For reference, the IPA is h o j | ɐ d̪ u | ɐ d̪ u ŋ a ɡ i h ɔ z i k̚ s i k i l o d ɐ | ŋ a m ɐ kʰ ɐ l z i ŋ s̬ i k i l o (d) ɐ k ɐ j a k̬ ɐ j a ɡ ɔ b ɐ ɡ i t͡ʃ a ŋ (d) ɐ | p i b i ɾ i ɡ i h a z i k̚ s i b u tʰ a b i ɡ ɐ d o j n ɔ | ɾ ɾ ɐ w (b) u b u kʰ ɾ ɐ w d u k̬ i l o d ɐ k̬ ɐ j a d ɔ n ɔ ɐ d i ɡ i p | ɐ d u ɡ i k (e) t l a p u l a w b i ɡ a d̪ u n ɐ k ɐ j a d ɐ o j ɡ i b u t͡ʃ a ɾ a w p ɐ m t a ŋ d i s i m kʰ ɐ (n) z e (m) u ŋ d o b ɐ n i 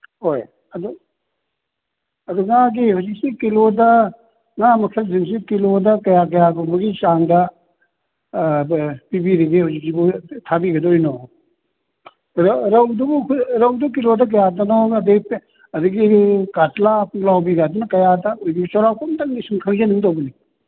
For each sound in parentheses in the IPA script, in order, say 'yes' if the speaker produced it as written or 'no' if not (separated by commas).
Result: yes, yes, no, no, no, no